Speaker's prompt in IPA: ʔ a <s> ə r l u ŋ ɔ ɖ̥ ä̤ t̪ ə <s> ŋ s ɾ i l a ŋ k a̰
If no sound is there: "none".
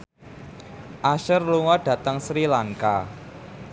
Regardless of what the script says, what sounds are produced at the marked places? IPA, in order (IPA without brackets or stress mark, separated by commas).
ʃ, none